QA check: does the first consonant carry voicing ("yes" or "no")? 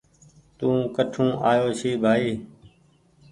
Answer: no